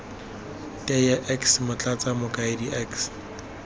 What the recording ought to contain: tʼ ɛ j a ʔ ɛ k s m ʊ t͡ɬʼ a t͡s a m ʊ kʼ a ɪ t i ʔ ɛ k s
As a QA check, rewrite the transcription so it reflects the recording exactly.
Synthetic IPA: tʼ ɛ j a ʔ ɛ k s m ʊ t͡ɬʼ a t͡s a m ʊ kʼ a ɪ d i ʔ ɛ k s

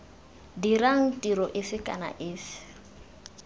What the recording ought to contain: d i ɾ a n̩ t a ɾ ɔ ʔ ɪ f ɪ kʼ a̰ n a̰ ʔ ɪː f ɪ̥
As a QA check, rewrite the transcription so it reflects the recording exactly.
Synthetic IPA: d i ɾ a ŋ̩ t i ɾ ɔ ʔ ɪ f ɪ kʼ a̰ n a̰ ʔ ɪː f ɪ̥

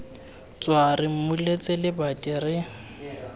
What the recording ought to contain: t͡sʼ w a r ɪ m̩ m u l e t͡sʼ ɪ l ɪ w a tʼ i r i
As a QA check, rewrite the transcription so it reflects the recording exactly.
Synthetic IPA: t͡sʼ w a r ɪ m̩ m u l e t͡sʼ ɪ l ɪ b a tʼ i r ɪ

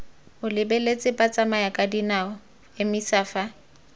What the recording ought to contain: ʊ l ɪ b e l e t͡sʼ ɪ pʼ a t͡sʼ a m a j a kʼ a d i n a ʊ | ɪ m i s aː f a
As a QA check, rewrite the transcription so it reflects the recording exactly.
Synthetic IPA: ʊ l ɪ b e l e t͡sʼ ɪ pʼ a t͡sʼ a m a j a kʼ a d i n a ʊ | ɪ m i s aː f a

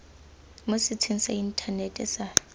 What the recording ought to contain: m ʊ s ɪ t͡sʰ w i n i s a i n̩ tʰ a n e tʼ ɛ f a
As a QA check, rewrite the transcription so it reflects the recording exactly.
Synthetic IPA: m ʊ s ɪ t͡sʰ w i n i s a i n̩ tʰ a n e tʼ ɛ s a

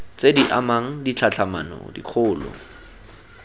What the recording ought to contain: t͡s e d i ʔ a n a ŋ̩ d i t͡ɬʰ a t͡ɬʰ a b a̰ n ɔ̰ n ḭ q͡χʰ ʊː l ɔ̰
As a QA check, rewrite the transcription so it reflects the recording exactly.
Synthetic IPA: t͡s e d i ʔ a m a ŋ̩ d i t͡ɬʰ a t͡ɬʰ a m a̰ n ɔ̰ d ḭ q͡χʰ ʊː l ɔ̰

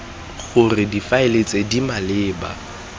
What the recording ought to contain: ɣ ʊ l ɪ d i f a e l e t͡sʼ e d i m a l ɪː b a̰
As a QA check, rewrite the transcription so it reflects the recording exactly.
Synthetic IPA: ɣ ʊ r ɪ d i f a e l e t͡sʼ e d i m a l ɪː b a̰

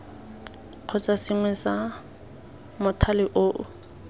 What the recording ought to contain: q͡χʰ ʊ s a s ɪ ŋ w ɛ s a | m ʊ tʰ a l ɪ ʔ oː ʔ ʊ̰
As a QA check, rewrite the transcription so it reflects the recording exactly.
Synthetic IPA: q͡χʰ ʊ t͡s a s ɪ ŋ w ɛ s a | m ʊ tʰ a l ɪ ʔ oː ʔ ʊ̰

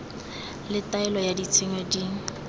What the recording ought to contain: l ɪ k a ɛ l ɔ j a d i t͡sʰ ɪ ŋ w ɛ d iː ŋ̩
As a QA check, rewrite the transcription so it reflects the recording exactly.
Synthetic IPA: l ɪ t a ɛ l ɔ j a d i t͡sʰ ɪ ŋ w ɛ d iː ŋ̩

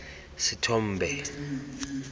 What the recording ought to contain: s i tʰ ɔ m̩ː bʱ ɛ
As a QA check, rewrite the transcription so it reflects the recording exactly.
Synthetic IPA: s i tʰ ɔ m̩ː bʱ ɛ

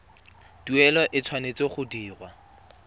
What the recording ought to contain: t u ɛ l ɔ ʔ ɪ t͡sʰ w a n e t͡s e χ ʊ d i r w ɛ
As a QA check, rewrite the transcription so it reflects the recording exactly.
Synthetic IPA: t u ɛ l ɔ ʔ ɪ t͡sʰ w a n e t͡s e χ ʊ d iː r w a

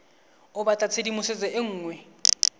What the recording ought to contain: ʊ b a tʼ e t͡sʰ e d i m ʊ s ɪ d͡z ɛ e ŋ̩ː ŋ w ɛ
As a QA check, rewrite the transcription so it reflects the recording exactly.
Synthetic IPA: ʊ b a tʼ a t͡sʰ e d i m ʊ s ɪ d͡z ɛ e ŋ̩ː ŋ w ɛ

